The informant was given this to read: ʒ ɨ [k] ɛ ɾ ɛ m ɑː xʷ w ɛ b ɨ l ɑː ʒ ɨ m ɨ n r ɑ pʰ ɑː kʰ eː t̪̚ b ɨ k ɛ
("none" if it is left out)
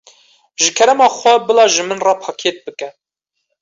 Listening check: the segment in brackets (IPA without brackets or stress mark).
kʰ